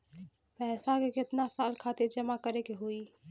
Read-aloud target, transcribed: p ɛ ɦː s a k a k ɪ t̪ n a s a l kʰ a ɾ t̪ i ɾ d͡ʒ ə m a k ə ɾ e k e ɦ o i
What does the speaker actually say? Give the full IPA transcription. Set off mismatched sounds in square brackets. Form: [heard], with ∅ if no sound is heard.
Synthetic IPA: p ɛ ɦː s a k [e] k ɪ t̪ n a s a l kʰ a [∅] t̪ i ɾ d͡ʒ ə m a k ə ɾ e k e ɦ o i